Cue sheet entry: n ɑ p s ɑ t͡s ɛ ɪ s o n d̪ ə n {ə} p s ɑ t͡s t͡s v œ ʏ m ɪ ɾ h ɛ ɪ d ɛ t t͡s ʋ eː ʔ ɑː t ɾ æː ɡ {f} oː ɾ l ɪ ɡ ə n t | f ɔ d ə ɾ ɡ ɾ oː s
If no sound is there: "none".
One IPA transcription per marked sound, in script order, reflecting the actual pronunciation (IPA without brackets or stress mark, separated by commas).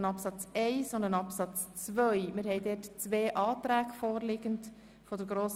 ɑ, f